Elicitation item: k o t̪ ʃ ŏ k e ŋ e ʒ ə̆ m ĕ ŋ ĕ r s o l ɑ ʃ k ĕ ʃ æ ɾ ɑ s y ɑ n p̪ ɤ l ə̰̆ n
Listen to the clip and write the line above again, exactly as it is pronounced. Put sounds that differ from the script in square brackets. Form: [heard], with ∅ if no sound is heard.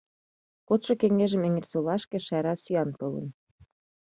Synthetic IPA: k o t̪ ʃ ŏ k e ŋ e ʒ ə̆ m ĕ ŋ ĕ r s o l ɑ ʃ k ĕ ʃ æ ɾ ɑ s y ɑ n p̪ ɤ l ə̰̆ n